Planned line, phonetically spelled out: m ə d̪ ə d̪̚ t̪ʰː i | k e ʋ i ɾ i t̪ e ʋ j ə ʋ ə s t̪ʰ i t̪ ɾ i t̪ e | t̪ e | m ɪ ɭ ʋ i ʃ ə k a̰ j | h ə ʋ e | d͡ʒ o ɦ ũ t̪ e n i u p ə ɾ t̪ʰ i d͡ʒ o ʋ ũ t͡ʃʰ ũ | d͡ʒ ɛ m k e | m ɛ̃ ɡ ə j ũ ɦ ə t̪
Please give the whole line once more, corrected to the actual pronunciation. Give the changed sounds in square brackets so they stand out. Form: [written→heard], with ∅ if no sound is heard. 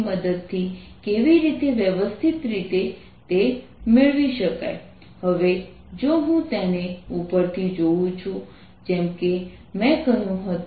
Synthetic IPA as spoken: m ə d̪ ə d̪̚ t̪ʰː i | k e ʋ i ɾ i t̪ e ʋ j ə ʋ ə s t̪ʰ i t̪ ɾ i t̪ e | t̪ e | m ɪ ɭ ʋ i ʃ ə k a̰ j | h ə ʋ e | d͡ʒ o ɦ ũ t̪ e n [i→e] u p ə ɾ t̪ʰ i d͡ʒ o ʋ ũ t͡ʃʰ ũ | d͡ʒ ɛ m k e | m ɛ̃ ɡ ə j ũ ɦ ə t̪